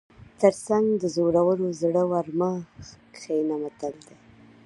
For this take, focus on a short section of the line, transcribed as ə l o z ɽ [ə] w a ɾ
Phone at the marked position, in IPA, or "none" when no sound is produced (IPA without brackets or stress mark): ə